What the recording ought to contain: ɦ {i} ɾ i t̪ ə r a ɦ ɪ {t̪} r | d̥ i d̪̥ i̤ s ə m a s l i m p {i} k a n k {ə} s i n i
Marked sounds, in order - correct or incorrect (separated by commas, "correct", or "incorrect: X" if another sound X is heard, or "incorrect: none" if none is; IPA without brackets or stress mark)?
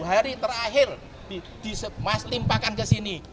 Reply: incorrect: a, incorrect: none, incorrect: a, correct